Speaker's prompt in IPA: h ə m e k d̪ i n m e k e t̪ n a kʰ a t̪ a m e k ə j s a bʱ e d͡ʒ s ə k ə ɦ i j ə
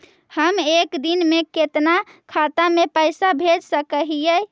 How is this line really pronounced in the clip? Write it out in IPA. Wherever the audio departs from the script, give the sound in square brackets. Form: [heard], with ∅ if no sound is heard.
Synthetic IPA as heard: h ə m e k d̪ i n m e k e t̪ n a kʰ a t̪ a m e [p] ə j s a bʱ e d͡ʒ s ə k ə ɦ i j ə